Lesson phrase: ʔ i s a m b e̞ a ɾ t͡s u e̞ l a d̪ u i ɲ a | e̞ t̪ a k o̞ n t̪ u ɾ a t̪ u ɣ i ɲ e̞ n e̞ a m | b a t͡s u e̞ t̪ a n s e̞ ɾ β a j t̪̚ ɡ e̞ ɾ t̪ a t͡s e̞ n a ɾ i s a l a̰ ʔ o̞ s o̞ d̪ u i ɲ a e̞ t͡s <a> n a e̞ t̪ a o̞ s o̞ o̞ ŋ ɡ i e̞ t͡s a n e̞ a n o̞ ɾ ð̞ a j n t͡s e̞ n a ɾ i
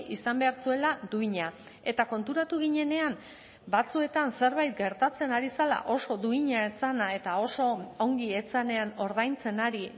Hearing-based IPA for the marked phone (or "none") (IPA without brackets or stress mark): a